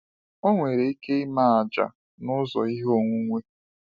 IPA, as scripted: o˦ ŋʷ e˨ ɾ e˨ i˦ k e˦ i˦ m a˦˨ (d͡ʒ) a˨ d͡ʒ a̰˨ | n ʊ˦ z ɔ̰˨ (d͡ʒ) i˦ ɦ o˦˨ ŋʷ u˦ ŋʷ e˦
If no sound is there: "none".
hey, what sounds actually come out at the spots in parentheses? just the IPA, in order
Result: none, none

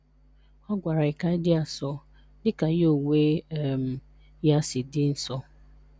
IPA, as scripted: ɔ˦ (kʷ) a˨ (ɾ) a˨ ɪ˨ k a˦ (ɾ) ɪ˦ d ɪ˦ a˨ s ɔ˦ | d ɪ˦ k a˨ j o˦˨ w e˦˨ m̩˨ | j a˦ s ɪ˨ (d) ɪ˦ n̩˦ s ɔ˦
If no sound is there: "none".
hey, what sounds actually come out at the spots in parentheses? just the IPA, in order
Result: ɡʷ, ɾ, none, d

